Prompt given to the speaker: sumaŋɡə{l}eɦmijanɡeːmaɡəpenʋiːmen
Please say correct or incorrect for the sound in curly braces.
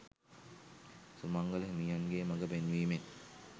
correct